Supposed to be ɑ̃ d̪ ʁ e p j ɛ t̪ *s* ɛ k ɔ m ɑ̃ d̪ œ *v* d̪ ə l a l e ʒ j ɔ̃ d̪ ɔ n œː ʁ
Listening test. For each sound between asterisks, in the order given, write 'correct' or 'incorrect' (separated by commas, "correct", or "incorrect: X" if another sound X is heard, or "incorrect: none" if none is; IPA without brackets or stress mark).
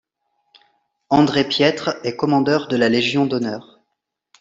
incorrect: χ, incorrect: ʁ